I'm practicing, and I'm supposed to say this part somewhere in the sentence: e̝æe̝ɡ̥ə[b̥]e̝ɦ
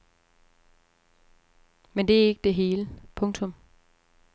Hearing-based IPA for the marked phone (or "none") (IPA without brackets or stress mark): d̥